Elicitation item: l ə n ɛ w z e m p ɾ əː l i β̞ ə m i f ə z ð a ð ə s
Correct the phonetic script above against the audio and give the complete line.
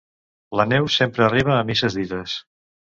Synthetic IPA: l ə n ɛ w s e m p ɾ əː r i β̞ əː m i s ə z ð i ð ə s

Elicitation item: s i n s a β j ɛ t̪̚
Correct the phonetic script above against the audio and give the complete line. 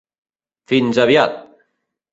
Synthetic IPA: f i n z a β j a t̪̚

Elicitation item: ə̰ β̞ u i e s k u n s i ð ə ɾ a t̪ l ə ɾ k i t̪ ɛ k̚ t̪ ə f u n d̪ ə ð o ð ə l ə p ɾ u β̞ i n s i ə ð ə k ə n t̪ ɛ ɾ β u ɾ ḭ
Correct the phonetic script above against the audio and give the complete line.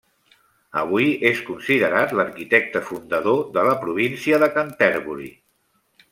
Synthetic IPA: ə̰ β̞ u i e s k u n s i ð ə ɾ a t̪ l ə ɾ k i t̪ ɛ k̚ t̪ ə f u n d̪ ə ð o ð ə l ə p ɾ u β̞ i n s i ə ð ə k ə n t̪ ɛ ɾ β u ɾ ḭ

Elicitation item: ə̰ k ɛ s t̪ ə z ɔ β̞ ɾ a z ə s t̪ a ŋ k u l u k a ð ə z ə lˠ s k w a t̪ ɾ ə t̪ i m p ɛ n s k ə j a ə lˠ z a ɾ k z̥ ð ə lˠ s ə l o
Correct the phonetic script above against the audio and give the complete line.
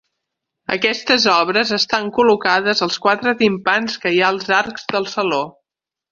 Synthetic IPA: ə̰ k ɛ s t̪ ə z ɔ β̞ ɾ ə z ə s t̪ a ŋ k u l u k a ð ə z ə lˠ s k w a t̪ ɾ ə t̪ i m p a n s k ə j a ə lˠ z a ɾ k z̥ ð ə lˠ s ə l o

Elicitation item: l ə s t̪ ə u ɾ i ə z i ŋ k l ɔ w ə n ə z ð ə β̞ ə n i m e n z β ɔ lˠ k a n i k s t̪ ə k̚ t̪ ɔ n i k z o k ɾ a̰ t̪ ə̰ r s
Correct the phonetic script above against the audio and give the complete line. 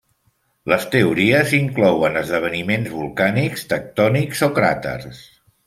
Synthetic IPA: l ə s t̪ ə u ɾ i ə z i ŋ k l ɔ w ə n ə z ð ə β̞ ə n i m e n z β u lˠ k a n i k s t̪ ə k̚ t̪ ɔ n i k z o k ɾ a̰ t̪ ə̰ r s

